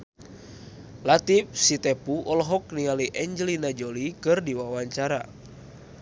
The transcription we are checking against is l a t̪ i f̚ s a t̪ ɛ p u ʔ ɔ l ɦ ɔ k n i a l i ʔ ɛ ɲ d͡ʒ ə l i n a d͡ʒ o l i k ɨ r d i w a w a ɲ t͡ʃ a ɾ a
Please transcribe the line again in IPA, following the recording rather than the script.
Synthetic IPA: l a t̪ i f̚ s i t̪ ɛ p u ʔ ɔ l ɦ ɔ k n i a l i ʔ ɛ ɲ d͡ʒ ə l i n a d͡ʒ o l i k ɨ r d i w a w a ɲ t͡ʃ a ɾ a